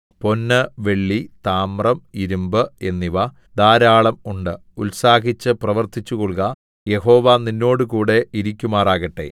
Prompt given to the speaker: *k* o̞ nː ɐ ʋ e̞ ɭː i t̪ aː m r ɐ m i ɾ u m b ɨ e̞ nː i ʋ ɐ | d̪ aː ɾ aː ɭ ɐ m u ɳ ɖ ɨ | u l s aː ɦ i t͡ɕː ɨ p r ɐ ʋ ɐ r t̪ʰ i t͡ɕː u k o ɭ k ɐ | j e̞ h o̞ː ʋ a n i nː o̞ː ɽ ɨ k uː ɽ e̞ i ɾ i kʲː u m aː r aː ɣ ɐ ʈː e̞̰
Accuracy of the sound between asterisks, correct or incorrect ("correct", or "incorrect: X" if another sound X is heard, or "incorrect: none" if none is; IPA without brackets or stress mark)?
incorrect: p